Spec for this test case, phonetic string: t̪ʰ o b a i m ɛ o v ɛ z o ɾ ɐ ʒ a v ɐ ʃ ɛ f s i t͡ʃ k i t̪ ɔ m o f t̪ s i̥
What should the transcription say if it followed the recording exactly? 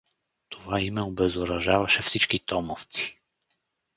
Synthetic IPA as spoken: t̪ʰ o v a i m ɛ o b ɛ z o ɾ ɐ ʒ a v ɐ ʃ ɛ f s i t͡ʃ k i t̪ ɔ m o f t̪ s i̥